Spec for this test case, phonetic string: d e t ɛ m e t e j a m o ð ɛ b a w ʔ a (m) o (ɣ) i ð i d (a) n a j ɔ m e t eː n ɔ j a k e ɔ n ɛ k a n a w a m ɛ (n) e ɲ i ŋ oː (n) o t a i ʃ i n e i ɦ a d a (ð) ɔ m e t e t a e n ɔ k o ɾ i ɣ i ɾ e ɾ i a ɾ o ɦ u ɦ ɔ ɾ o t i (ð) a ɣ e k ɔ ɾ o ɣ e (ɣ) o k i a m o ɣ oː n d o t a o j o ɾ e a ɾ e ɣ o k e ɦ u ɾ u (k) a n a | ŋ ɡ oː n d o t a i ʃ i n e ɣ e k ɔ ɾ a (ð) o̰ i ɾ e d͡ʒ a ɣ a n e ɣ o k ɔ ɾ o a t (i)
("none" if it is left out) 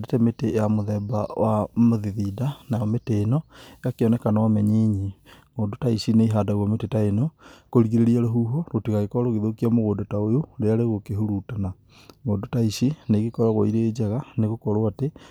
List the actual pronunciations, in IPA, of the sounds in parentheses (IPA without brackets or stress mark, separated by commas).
m, ð, a, ɲ, d, ɣ, ɣ, ð, t, ɣ, e